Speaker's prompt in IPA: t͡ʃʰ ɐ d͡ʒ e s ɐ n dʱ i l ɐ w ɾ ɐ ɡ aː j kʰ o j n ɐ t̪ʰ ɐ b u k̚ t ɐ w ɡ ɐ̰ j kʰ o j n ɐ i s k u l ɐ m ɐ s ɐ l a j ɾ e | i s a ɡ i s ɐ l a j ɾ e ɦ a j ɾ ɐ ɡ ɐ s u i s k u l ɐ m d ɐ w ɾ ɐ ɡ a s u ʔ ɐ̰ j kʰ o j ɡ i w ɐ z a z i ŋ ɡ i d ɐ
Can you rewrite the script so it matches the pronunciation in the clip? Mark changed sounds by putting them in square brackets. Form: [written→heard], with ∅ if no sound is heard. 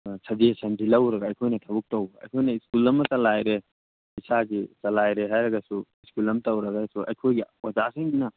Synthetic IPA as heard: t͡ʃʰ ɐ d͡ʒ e s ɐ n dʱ i l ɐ w ɾ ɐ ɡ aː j kʰ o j n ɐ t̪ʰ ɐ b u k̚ t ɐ w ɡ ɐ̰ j kʰ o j n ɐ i s k u l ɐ m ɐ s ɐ l a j ɾ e | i s a ɡ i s ɐ l a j ɾ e ɦ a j ɾ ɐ ɡ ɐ s u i s k u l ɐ m [d→t] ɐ w ɾ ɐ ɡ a s u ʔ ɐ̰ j kʰ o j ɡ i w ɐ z a [z→s] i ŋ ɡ i [d→n] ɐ